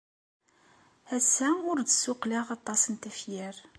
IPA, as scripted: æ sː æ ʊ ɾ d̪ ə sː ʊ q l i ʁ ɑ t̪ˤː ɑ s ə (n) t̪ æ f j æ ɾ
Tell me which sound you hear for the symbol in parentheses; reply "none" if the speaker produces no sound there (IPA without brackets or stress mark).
n